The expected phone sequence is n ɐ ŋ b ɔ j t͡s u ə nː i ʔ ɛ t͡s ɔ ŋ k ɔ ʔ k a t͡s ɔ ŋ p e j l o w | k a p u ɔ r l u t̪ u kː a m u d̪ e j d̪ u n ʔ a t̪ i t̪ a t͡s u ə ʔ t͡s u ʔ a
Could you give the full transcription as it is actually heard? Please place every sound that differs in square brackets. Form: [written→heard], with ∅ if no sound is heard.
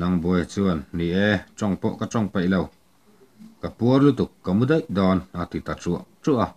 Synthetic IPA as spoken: n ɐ ŋ b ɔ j t͡s u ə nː i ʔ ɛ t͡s ɔ ŋ [k→p] ɔ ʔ k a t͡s ɔ ŋ p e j l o w | k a p u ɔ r l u t̪ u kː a m u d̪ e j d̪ [u→ɔ] n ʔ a t̪ i t̪ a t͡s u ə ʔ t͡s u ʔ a

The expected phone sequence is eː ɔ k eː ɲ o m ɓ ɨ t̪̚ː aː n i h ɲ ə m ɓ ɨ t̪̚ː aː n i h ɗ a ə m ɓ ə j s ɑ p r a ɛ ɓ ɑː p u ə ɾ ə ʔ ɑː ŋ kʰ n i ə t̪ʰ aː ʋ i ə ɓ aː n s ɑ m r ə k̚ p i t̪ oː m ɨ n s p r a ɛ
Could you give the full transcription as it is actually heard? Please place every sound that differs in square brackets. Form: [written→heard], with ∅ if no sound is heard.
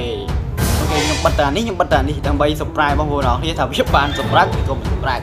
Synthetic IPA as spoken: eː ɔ k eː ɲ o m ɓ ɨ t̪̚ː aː n i h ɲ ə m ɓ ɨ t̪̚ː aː n i h ɗ a ə m ɓ ə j s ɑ p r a ɛ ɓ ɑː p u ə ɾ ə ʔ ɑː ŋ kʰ n i ə t̪ʰ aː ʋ i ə ɓ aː n s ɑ m r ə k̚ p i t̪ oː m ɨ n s p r a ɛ

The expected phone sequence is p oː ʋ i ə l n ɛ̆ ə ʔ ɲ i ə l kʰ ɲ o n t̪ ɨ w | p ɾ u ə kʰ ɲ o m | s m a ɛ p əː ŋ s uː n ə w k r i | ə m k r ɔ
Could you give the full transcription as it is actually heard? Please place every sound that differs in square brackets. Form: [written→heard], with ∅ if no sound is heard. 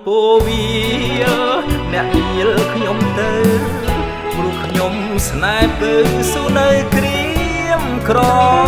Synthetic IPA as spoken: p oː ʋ i ə l n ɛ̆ ə ʔ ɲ i ə l kʰ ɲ o [n→m] t̪ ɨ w | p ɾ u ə kʰ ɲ o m | s [m→n] a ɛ p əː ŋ s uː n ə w k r i | ə m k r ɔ

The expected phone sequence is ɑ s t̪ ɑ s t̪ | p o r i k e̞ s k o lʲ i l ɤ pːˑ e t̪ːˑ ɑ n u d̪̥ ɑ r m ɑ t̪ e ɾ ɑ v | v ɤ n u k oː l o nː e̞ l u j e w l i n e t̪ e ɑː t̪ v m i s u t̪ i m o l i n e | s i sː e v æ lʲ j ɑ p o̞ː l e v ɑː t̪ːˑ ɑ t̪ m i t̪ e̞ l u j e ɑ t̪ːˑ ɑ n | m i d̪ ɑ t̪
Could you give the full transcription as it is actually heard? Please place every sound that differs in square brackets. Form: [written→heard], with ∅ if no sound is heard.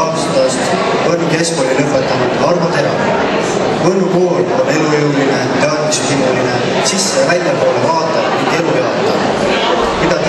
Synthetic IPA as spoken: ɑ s t̪ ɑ s t̪ | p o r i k e̞ s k o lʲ i l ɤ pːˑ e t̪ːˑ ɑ n u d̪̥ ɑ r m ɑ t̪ e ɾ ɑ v | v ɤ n u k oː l o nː e̞ l u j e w l i n e t̪ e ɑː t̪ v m i s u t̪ i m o l i n e | s i sː e v æ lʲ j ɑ p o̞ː l e v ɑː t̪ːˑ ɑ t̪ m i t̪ e̞ l u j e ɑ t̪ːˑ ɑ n | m i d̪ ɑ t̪

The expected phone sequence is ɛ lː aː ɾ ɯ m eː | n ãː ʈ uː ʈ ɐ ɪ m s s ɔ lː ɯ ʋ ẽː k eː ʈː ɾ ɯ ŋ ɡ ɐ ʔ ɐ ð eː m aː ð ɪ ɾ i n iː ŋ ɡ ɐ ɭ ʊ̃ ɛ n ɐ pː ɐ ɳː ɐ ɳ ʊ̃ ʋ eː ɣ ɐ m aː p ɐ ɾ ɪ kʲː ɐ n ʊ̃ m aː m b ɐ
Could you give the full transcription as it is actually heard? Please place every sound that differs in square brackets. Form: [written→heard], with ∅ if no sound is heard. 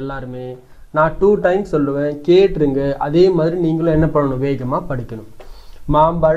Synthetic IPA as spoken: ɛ lː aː ɾ ɯ m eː | n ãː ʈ uː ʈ ɐ ɪ m s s ɔ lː ɯ ʋ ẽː k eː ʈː ɾ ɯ ŋ ɡ ɐ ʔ ɐ ð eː m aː ð ɪ ɾ i n iː ŋ ɡ ɐ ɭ ʊ̃ ɛ [n→nː] ɐ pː ɐ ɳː ɐ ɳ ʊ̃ ʋ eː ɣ ɐ m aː p ɐ [ɾ→ɽ] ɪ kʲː ɐ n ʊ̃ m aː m b ɐ

